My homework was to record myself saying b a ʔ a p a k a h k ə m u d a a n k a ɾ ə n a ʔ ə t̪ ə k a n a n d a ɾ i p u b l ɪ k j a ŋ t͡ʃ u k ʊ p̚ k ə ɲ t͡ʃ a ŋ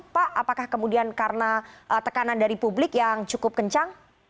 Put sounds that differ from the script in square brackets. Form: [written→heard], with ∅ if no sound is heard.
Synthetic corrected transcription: [b→p] a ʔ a p a k a h k ə m u d [a→i] a n k a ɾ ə n a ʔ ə t̪ ə k a n a n d a ɾ i p u b l ɪ k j a ŋ t͡ʃ u k ʊ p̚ k ə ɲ t͡ʃ a ŋ